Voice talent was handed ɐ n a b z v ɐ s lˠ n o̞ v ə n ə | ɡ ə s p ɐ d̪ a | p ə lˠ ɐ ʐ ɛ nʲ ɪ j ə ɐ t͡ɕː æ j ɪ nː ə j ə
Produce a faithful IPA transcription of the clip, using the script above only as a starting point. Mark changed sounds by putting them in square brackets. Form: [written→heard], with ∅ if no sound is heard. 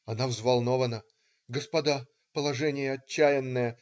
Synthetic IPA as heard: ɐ n a [b→v] z v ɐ [s→∅] lˠ n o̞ v ə n ə | ɡ ə s p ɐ d̪ a | p ə lˠ ɐ ʐ ɛ nʲ ɪ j ə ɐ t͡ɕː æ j ɪ nː ə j ə